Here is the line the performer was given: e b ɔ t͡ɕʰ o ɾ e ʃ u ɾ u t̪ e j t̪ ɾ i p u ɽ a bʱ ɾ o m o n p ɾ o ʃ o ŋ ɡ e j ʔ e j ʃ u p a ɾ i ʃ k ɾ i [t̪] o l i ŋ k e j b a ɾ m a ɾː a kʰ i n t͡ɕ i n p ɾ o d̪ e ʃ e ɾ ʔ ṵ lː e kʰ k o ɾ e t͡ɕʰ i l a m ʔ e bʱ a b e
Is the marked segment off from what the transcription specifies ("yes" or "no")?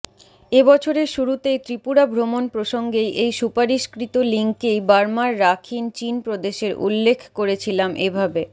no